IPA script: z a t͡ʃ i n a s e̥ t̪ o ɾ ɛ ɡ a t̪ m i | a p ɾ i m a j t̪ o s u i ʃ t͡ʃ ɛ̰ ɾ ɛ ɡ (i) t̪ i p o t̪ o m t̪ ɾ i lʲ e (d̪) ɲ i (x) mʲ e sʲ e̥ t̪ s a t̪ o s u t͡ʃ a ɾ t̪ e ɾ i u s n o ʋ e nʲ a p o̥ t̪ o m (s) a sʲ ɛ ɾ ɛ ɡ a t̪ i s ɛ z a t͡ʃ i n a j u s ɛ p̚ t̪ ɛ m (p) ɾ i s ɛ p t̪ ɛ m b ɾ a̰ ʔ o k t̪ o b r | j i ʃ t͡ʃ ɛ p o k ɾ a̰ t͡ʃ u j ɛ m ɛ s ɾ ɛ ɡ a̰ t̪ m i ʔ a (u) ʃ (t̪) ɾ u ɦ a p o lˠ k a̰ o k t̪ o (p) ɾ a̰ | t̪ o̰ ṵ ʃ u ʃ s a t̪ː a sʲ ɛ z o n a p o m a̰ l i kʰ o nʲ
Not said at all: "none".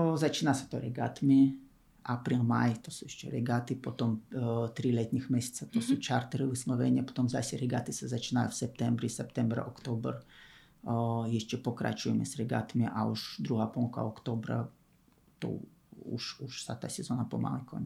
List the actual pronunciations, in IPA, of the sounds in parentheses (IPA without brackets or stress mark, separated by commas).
a, t̪, x, z, b, u, d̪, b